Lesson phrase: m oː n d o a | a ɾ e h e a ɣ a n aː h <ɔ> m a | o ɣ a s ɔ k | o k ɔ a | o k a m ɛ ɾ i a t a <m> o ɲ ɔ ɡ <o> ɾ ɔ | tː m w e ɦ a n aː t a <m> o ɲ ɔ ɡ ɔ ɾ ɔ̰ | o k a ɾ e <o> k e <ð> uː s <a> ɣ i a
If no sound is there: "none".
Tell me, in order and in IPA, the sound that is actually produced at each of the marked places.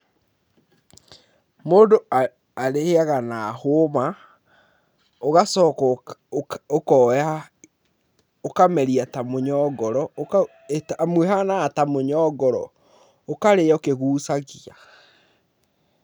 o, m, ɔ, m, o, ɣ, a

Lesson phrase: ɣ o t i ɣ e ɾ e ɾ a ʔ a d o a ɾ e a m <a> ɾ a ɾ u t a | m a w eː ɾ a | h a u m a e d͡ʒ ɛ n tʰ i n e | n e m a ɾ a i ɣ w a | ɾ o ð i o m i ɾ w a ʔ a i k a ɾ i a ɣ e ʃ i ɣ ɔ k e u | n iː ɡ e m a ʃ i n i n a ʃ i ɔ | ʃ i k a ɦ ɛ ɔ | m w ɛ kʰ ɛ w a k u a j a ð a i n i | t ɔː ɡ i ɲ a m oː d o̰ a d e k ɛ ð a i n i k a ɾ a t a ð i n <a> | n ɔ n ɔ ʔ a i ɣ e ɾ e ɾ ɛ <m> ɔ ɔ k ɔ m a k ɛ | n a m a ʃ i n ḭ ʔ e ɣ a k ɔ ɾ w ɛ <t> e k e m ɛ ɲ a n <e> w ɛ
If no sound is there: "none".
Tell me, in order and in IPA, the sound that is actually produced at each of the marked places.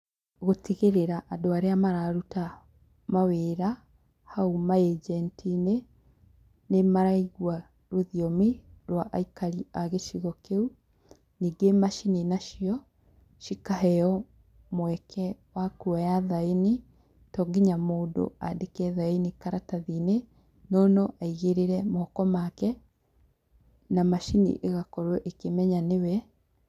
a, e, m, ʔ, e

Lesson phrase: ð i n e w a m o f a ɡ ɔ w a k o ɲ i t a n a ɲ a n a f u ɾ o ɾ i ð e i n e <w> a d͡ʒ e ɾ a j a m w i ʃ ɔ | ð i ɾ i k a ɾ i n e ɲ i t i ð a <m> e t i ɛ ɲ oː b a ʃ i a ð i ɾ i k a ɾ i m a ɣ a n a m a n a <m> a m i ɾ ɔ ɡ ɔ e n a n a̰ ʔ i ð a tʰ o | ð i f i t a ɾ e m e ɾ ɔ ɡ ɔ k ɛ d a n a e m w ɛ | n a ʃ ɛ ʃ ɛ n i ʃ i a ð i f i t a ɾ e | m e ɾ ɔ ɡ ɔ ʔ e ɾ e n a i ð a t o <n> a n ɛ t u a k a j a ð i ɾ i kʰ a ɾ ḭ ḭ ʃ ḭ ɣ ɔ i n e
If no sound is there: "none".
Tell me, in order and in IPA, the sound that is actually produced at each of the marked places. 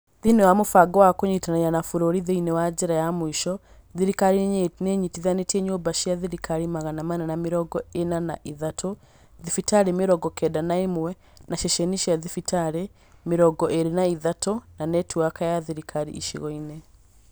w, n, n, n

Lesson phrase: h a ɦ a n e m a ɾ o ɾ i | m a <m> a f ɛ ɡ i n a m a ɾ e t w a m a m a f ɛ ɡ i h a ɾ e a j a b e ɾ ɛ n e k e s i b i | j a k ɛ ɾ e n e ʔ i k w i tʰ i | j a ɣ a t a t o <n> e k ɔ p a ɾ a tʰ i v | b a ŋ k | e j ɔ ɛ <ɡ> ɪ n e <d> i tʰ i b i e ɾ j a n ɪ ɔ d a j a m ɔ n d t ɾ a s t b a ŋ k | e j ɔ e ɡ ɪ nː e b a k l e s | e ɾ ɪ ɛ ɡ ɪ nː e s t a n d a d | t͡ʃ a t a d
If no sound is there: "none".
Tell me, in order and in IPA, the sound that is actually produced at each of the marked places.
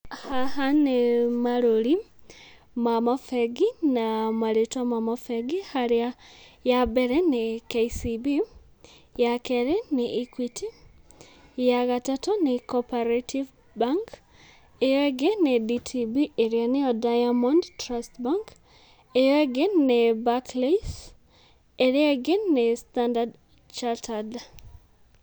m, n, ɡ, d

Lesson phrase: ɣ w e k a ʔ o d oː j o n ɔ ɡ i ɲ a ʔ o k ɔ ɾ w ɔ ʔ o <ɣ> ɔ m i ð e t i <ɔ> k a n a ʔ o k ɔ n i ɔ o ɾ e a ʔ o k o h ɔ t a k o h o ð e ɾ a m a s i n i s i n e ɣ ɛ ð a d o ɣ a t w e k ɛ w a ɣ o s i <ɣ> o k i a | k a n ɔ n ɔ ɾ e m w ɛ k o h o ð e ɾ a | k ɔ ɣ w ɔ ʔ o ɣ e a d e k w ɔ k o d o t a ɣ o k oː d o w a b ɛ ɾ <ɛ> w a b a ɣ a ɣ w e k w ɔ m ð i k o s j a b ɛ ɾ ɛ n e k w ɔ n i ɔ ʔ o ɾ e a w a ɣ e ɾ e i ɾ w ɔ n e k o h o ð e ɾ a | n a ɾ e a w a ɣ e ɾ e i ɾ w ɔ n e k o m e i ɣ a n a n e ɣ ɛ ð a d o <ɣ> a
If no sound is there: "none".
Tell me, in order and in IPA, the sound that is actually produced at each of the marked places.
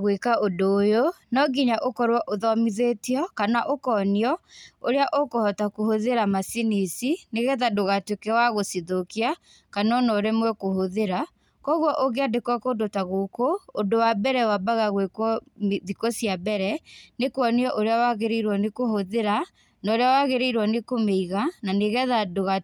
ð, ɔ, ð, ɛ, ɣ

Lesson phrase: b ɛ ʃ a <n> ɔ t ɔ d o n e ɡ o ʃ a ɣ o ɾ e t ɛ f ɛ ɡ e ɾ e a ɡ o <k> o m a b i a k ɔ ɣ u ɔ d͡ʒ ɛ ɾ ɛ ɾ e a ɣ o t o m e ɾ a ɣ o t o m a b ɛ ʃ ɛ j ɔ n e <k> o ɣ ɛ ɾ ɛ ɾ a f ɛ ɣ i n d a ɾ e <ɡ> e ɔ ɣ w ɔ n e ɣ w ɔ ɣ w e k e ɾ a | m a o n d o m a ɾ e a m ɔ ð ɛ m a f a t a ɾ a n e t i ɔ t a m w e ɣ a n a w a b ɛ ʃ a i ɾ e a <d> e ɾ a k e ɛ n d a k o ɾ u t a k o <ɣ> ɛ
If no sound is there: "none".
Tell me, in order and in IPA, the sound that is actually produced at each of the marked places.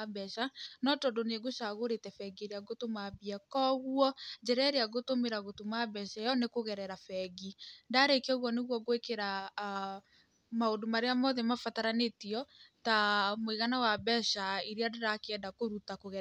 n, t, k, k, d, ɣ

